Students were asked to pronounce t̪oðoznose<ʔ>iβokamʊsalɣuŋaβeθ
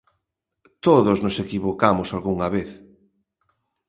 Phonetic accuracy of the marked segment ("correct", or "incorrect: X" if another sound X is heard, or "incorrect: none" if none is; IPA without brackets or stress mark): incorrect: k